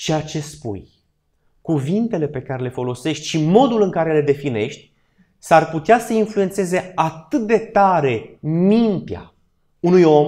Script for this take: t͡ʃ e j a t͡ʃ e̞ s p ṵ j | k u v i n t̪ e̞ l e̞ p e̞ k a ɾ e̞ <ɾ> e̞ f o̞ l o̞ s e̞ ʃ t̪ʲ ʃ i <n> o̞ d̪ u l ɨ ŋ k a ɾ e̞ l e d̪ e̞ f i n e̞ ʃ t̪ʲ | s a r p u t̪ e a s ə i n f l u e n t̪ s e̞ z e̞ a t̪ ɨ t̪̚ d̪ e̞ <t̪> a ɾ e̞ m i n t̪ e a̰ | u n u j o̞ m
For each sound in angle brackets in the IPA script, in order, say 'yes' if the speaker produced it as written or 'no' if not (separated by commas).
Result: no, no, yes